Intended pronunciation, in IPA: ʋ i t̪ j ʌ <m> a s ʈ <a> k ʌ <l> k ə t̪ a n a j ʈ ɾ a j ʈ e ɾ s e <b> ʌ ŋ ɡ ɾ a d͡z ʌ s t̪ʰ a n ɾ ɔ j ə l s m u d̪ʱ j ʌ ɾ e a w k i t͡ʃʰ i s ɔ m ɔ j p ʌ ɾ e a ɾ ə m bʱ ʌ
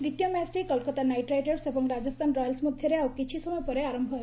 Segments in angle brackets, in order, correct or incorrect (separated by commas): correct, incorrect, correct, correct